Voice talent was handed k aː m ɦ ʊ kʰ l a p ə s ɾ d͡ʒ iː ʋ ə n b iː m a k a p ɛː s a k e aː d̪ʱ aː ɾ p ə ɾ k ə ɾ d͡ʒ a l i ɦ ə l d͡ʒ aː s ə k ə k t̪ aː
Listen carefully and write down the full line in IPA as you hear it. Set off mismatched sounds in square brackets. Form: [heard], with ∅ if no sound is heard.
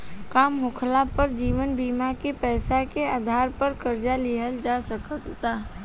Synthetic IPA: k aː m ɦ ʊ kʰ l a p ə [∅] ɾ d͡ʒ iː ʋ ə n b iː m a k [e] p ɛː s a k e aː d̪ʱ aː ɾ p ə ɾ k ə ɾ d͡ʒ a l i ɦ ə l d͡ʒ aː s ə k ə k t̪ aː